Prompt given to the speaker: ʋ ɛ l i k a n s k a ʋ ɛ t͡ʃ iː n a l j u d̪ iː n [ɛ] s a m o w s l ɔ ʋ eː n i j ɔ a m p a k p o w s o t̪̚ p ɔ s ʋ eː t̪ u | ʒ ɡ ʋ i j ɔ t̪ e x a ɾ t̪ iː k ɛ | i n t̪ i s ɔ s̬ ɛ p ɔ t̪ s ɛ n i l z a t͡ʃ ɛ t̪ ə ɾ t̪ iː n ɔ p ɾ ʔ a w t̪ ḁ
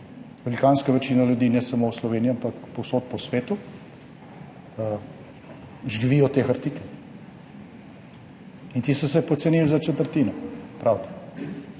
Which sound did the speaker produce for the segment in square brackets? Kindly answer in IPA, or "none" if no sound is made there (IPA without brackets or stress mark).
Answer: ɛ